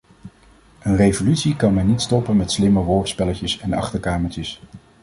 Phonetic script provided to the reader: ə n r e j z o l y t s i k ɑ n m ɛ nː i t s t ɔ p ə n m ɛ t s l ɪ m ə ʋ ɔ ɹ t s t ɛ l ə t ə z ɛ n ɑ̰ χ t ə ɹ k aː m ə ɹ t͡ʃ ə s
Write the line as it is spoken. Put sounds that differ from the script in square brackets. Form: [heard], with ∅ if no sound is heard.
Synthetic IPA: ə n r e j [v] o l y t s i k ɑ n m ɛ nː i t s t ɔ p ə n m ɛ t s l ɪ m ə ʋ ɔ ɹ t s [p] ɛ l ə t ə [s] ɛ n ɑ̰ χ t ə ɹ k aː m ə ɹ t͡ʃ ə s